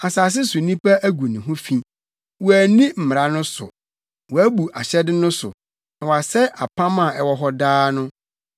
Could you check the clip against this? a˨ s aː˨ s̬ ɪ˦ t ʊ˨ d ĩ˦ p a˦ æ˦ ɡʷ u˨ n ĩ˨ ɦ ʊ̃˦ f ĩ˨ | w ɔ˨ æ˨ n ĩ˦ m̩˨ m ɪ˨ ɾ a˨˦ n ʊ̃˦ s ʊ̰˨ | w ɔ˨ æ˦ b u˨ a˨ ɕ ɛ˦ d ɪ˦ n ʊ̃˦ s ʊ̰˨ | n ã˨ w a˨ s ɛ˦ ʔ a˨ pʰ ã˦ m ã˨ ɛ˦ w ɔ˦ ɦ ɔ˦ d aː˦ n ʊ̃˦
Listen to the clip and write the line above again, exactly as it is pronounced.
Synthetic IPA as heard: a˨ s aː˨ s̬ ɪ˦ s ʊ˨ n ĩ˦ p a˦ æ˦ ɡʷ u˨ n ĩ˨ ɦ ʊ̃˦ f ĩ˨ | w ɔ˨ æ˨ n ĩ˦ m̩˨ m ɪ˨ ɾ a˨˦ n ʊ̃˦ s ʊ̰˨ | w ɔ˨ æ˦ b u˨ a˨ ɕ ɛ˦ d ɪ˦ n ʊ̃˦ s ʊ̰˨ | n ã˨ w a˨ s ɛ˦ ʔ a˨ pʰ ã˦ m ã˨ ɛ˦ w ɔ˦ ɦ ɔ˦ d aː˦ n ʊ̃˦